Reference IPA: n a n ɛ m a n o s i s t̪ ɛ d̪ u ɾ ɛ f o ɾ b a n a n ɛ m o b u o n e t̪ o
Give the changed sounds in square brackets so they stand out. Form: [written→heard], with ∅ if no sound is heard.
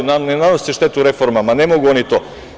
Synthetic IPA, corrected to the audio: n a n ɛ [m→n] a n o s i [s→ʃ] t̪ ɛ [d̪→t̪] u ɾ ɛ f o ɾ [b→m] a [n→m] a n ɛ m o [b→ɡ] u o n [e→i] t̪ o